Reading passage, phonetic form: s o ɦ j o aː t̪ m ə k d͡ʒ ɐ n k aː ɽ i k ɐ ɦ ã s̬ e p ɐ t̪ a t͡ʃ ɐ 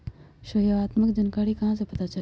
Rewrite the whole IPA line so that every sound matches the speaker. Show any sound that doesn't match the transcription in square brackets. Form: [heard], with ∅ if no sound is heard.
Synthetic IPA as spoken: [ʃ] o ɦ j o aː t̪ m ə k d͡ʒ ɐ n k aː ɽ i k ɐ ɦ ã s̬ e p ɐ t̪ a t͡ʃ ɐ